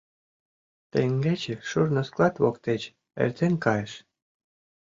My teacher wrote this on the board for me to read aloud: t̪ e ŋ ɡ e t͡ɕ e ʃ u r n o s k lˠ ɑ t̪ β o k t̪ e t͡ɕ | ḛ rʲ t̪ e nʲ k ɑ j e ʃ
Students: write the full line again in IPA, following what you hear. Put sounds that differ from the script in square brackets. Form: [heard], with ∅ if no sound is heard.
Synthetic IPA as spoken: t̪ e ŋ ɡ e t͡ɕ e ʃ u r n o s k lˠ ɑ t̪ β o k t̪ e t͡ɕ | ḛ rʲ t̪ e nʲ k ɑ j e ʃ